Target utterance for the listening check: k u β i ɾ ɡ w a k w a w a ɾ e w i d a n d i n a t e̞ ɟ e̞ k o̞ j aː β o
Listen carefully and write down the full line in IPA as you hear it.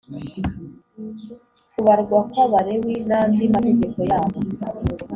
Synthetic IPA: k u β a ɾ ɡ w a k w a β a ɾ e w i n a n d i m a t e̞ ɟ e̞ k o̞ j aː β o